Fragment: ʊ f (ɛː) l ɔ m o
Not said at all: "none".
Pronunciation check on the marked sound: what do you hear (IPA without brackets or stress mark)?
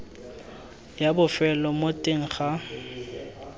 ɛ